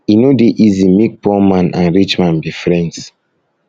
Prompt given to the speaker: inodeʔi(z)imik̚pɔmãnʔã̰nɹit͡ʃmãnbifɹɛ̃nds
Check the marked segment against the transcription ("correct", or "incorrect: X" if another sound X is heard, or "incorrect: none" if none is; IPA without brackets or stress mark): correct